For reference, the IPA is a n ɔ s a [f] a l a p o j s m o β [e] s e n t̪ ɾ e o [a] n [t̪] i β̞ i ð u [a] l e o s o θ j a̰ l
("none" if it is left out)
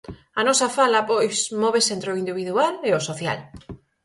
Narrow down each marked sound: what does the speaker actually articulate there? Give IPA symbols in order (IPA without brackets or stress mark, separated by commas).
f, e, i, d̪, a